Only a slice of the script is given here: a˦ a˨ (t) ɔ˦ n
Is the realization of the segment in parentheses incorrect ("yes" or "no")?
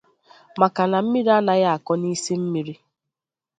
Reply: yes